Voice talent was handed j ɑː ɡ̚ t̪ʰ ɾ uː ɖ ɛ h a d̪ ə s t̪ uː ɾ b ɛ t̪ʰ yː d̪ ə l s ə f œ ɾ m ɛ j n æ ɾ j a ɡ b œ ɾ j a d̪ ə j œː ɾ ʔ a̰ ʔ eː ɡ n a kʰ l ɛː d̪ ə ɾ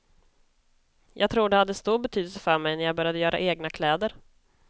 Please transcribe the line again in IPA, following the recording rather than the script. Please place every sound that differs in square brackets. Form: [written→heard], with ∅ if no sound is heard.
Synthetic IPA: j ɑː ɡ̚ t̪ʰ ɾ uː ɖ ɛ h a [d̪→d̪ː] ə s t̪ uː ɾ b ɛ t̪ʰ yː d̪ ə l s ə f œ ɾ m ɛ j n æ ɾ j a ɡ b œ ɾ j a d̪ ə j œː ɾ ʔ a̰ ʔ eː ɡ n a kʰ l ɛː d̪ ə ɾ